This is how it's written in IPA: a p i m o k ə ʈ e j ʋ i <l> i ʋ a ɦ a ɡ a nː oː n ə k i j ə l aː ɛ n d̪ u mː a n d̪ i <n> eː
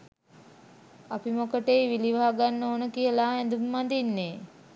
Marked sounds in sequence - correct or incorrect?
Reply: correct, incorrect: nː

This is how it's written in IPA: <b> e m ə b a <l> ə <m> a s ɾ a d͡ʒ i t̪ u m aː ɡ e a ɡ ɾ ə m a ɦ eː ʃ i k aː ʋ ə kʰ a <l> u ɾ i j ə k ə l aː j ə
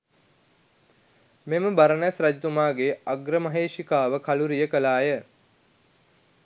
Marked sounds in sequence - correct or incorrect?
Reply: incorrect: m, incorrect: ɾ, incorrect: n, correct

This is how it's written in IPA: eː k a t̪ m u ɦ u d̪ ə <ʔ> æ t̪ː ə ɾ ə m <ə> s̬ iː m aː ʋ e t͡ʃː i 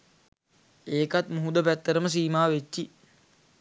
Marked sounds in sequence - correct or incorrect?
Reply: incorrect: p, correct

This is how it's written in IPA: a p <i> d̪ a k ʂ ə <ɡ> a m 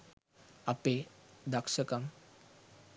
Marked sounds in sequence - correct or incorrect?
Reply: incorrect: e, incorrect: k

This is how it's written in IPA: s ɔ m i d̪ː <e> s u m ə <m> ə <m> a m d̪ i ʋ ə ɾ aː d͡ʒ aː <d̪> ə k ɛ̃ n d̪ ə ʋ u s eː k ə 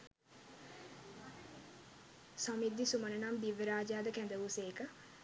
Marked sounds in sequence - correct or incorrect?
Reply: incorrect: i, incorrect: n, incorrect: n, correct

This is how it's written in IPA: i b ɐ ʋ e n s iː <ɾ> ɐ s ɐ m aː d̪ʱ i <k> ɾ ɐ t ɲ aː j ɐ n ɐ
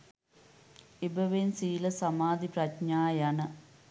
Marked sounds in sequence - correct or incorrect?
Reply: incorrect: l, incorrect: p

